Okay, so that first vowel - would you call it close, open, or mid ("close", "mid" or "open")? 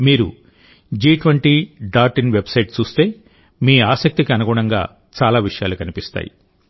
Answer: close